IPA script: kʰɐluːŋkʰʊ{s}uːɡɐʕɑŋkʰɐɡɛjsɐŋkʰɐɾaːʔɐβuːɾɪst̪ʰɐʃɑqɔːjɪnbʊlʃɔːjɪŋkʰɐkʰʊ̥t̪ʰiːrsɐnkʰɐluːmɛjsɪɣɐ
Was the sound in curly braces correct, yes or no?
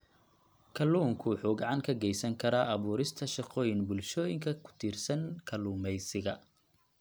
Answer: no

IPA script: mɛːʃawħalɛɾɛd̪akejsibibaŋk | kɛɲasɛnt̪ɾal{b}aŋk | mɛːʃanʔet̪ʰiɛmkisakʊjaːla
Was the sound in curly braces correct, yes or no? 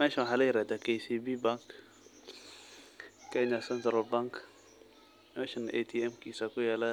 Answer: yes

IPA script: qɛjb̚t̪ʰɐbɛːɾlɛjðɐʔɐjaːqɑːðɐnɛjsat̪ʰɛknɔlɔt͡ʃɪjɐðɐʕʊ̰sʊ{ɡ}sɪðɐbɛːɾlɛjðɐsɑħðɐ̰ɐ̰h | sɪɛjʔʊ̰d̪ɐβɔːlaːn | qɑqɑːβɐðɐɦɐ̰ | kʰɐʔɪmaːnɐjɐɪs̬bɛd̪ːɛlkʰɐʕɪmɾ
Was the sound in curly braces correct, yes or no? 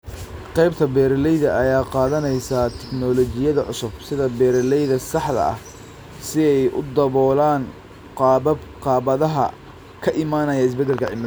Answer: no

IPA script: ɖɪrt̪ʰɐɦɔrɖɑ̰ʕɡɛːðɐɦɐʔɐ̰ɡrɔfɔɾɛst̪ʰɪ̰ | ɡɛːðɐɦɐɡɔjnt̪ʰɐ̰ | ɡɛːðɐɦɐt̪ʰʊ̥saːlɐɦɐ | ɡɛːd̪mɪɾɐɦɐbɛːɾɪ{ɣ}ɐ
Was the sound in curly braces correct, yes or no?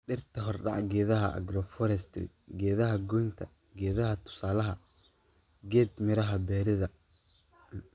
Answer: no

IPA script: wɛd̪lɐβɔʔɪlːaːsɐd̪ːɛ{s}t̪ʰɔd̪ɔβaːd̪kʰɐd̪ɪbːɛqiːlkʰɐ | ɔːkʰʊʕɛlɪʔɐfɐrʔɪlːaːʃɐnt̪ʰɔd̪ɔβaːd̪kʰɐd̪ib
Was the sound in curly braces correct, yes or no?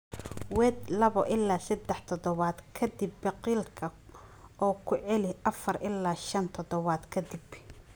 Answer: no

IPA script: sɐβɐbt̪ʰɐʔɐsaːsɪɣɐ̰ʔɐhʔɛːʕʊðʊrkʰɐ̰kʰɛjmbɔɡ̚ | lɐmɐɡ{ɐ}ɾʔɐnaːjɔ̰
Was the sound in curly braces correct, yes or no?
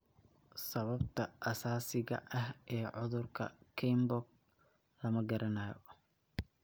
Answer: yes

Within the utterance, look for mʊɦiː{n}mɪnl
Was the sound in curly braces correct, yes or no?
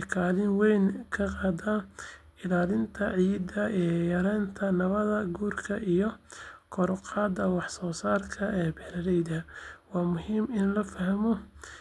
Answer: no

